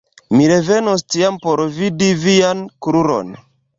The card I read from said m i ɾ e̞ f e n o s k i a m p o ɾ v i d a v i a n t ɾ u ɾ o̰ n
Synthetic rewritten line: m i ɾ e̞ v e n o s t i a m p o ɾ v i d i v i a n k ɾ u ɾ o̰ n